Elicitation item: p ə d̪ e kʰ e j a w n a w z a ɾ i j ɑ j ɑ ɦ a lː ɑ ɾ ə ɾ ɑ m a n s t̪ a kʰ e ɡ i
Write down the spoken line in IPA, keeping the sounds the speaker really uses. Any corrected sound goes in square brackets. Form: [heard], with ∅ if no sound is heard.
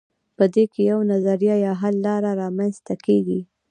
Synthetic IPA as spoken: p ə d̪ e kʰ e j a w n a [∅] z a ɾ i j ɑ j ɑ ɦ a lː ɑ ɾ [a] ɾ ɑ m a n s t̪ a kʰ e ɡ i